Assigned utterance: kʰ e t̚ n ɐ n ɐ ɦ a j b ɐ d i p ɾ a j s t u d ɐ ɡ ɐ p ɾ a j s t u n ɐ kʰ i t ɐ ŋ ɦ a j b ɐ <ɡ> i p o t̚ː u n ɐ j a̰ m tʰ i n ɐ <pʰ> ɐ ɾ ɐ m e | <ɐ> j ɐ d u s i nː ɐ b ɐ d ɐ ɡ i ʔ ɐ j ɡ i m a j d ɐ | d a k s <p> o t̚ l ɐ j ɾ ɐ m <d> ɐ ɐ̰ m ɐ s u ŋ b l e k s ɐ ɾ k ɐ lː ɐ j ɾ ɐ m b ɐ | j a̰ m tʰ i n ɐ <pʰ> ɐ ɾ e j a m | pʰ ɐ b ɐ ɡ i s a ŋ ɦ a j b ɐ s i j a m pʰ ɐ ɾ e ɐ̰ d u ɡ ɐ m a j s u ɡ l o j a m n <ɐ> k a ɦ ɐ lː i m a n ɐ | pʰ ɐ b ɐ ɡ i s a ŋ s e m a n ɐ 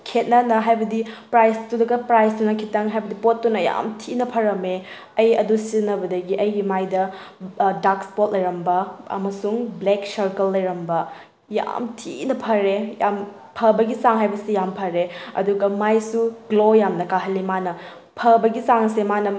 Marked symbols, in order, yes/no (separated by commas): no, yes, yes, yes, no, yes, yes